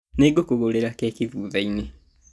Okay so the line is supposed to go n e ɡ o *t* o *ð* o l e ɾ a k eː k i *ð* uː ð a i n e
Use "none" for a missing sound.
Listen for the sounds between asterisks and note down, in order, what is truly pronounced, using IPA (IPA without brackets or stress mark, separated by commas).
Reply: k, ɣ, ð